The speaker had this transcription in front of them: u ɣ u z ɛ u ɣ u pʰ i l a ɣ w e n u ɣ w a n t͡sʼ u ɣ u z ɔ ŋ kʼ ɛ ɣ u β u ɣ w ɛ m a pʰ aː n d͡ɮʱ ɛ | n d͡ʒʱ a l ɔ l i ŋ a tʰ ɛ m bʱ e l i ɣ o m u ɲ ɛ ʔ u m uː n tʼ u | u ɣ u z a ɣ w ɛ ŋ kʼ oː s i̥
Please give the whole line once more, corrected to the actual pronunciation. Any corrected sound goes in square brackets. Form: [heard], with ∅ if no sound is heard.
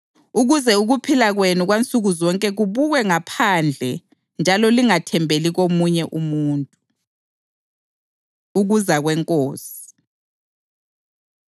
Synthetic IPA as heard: u ɣ u z ɛ u ɣ u pʰ i l a ɣ w e n u ɣ w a n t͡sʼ u ɣ u z ɔ ŋ kʼ ɛ ɣ u β u ɣ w ɛ [ŋ] a pʰ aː n d͡ɮʱ ɛ | n d͡ʒʱ a l ɔ l i ŋ a tʰ ɛ m bʱ e l i ɣ o m u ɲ ɛ ʔ u m uː n tʼ u | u ɣ u z a ɣ w ɛ ŋ kʼ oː s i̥